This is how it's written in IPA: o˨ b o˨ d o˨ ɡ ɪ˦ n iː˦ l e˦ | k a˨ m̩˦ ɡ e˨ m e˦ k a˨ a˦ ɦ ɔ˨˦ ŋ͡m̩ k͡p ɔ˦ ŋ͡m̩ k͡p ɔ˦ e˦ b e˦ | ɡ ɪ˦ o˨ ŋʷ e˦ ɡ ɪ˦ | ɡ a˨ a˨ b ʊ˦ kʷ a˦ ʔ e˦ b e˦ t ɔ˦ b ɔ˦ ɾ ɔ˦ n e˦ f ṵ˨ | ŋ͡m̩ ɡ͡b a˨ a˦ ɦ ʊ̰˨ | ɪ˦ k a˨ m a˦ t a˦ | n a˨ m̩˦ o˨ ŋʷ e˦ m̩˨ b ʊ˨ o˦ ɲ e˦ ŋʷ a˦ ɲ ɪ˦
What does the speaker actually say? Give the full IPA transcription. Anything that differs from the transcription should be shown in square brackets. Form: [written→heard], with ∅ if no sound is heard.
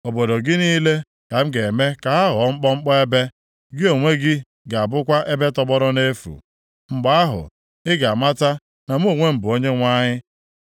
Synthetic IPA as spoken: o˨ b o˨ d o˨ ɡ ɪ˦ n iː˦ l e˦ | k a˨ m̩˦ ɡ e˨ m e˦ k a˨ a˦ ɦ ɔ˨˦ ŋ͡m̩ k͡p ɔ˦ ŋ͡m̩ k͡p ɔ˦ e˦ b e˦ | ɡ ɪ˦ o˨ ŋʷ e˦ ɡ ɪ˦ | ɡ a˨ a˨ b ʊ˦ kʷ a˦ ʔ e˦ b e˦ t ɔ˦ b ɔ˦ ɾ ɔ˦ n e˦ f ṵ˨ | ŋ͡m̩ ɡ͡b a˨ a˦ ɦ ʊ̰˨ | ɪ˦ [k→ɡ] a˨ m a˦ t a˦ | n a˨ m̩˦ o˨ ŋʷ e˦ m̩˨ b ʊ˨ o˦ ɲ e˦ ŋʷ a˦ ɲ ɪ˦